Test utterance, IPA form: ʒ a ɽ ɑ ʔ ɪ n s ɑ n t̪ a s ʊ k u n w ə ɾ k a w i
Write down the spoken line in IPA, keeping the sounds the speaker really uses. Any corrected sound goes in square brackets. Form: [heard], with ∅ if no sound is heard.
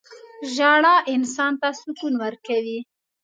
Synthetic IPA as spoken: ʒ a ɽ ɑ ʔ ɪ n s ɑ n t̪ a s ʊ k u n w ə ɾ k a w i